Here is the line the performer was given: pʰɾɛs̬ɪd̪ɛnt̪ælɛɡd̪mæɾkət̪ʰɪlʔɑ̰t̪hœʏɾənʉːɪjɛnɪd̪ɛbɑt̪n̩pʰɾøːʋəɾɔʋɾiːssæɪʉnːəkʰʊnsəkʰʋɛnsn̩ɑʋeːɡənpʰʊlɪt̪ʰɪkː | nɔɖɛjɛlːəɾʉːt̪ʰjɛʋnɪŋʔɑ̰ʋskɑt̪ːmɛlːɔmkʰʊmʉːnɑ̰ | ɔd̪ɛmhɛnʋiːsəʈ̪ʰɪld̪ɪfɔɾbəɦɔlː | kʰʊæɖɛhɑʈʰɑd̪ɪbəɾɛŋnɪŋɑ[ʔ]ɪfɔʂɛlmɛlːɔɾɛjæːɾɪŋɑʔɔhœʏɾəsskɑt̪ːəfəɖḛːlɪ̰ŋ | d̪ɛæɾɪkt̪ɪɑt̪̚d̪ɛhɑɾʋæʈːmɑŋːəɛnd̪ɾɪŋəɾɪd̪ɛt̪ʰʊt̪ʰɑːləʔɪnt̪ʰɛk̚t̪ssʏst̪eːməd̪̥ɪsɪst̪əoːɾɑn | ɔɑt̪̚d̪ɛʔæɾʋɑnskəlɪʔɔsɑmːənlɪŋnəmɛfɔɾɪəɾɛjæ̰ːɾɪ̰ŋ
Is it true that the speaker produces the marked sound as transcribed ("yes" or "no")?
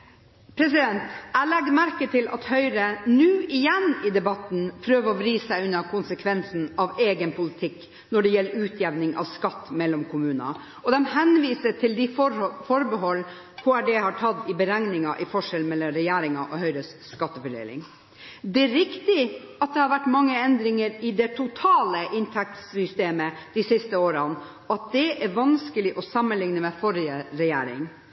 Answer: yes